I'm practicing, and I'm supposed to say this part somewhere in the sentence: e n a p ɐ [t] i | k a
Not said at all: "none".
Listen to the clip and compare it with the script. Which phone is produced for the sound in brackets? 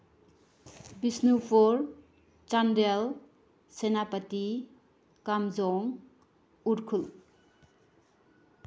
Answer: t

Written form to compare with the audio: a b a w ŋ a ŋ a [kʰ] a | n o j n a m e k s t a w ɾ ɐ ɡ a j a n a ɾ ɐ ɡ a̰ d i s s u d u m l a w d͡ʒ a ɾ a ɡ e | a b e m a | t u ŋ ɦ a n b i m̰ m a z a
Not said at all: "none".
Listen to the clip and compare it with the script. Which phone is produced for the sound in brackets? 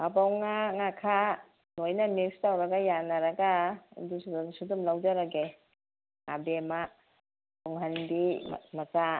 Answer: kʰ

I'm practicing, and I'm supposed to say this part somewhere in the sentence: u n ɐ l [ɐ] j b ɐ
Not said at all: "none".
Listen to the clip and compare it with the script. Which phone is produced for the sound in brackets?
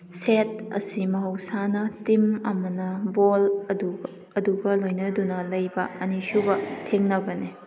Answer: ɐ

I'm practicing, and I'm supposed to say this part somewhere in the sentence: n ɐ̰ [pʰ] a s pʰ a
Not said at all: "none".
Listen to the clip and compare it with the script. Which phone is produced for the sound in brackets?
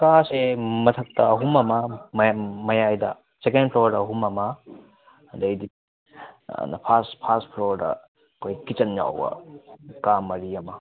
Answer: pʰ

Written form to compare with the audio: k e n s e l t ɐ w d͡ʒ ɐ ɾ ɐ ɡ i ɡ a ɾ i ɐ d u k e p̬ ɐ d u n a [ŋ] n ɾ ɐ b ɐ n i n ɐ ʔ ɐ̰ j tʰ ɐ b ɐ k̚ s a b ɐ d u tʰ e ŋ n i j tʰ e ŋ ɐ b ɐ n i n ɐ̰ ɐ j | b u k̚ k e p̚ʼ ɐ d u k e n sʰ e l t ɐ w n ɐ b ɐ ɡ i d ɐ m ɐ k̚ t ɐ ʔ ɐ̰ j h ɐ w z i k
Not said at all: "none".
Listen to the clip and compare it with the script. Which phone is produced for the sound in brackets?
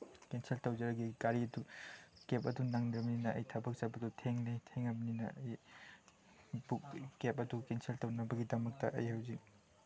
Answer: ŋ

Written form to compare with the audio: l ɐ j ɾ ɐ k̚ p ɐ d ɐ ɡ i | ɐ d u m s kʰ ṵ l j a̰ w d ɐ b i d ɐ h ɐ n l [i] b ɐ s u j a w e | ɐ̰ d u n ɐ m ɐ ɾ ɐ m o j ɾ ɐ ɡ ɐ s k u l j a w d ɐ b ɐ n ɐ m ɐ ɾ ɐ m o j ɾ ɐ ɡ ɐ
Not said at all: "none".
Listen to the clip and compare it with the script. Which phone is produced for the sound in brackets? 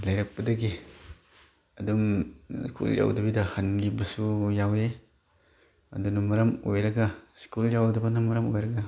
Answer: i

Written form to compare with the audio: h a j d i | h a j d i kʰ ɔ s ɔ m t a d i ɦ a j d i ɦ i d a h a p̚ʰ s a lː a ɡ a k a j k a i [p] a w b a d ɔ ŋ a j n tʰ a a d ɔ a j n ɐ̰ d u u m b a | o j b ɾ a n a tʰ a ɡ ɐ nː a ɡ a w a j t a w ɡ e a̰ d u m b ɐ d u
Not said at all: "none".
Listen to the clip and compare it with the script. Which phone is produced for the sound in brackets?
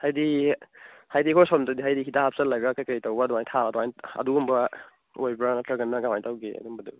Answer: t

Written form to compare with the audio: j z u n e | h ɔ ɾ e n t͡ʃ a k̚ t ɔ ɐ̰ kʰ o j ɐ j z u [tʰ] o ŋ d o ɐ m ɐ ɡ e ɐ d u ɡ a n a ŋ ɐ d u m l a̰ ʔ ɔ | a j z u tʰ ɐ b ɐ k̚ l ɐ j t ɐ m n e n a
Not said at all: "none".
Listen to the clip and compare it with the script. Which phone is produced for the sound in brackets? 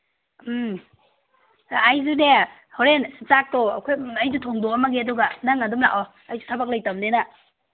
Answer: tʰ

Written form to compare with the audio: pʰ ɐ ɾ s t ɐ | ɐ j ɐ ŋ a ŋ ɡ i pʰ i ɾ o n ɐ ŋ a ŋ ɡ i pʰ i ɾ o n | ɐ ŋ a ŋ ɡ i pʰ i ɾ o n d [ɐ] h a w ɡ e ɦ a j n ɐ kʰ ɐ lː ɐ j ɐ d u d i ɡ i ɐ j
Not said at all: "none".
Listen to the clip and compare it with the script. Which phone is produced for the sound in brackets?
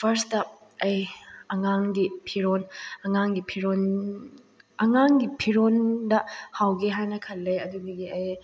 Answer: ɐ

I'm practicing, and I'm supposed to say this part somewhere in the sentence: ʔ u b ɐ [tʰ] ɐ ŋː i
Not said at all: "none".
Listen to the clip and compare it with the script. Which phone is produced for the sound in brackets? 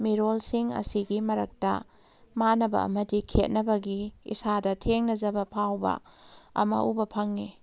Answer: pʰ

